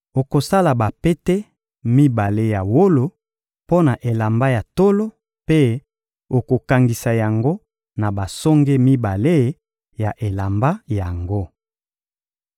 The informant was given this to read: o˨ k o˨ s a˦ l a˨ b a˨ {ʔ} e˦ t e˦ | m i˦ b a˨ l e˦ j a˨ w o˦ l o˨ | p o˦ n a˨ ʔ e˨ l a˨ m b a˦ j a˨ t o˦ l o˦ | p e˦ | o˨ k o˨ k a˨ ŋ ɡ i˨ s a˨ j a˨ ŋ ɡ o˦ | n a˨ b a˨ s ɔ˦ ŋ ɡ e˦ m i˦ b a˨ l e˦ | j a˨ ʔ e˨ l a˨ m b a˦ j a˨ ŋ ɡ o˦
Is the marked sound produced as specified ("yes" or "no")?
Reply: no